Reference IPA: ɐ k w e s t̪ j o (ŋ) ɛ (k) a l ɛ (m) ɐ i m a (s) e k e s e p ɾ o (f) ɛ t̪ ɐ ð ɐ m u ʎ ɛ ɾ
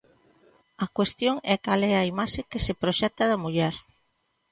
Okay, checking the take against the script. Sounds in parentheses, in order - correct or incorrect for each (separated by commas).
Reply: correct, correct, incorrect, incorrect, incorrect